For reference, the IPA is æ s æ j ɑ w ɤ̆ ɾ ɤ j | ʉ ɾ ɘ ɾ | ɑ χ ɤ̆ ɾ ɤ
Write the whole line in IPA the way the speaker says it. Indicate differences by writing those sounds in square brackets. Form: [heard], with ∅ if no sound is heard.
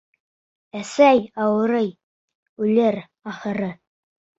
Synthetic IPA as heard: æ s æ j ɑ w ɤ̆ ɾ ɤ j | ʉ [l] ɘ ɾ | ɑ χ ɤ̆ ɾ ɤ